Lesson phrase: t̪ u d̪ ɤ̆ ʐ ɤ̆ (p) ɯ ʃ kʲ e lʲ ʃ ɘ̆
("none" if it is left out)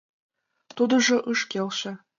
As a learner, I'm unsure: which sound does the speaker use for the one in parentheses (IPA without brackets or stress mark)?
ʔ